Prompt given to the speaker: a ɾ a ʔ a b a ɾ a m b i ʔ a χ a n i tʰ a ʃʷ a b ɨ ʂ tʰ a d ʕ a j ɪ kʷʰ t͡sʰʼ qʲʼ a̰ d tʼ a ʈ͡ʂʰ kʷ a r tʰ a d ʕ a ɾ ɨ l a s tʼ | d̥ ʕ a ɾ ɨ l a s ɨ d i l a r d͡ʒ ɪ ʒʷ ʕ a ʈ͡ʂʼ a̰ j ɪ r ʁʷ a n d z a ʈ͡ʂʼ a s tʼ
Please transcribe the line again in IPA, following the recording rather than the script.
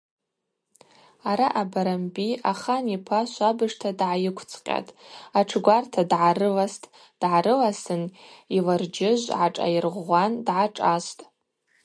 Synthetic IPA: a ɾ a ʔ a b a ɾ a m b i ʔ a χ a n i pʰ a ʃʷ a b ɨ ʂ tʰ a d ʕ a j ɪ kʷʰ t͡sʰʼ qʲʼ a̰ tʼ a ʈ͡ʂʰ ɡʷ a r tʰ a d ʕ a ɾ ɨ l a s tʼ | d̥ ʕ a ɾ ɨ l a s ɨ n i l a r d͡ʒ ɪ ʒʷ ʕ a ʈ͡ʂʼ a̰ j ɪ r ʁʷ a n d ʕ a ʈ͡ʂʼ a s tʼ